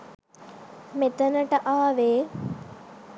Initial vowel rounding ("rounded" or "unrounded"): unrounded